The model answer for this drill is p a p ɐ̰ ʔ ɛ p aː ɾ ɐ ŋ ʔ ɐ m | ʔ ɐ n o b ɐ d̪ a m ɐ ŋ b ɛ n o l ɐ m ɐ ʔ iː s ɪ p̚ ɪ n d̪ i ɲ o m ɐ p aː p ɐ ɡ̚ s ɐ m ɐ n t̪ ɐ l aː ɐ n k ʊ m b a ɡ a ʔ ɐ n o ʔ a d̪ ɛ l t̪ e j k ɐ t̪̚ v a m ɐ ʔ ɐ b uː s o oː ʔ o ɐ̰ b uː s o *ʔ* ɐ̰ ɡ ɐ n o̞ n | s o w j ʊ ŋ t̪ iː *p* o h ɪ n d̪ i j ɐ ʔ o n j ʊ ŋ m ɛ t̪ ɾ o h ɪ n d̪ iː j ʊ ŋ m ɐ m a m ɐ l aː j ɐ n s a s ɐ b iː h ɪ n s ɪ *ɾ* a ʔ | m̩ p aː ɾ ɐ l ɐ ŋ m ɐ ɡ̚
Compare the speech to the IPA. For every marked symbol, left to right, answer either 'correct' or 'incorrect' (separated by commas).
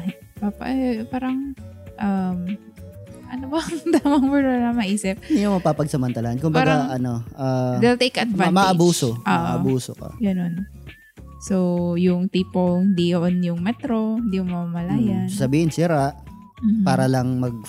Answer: incorrect, correct, correct